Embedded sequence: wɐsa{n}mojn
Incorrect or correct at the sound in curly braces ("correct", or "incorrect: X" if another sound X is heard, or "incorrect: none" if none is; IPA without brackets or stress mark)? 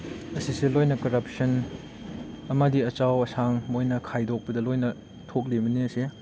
incorrect: ŋ